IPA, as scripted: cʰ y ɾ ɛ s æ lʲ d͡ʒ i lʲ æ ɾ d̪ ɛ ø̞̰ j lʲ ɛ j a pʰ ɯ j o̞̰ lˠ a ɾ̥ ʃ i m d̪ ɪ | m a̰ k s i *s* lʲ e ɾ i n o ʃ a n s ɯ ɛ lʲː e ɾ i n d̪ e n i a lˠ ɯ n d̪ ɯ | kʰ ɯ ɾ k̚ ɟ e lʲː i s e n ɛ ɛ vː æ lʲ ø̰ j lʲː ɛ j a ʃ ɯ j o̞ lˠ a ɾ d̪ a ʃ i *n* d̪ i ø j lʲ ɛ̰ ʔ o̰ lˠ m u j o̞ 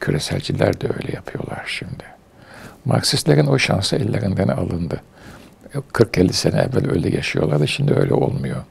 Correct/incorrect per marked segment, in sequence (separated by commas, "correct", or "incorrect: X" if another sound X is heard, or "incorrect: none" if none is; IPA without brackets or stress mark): correct, incorrect: m